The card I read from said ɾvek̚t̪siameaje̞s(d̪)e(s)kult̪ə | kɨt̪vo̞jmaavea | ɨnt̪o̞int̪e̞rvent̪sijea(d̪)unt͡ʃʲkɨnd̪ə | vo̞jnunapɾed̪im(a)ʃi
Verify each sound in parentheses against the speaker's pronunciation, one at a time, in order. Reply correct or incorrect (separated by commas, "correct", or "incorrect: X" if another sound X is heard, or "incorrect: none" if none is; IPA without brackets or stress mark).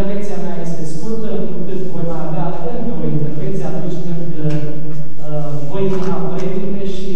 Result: incorrect: t̪, correct, incorrect: t̪, incorrect: e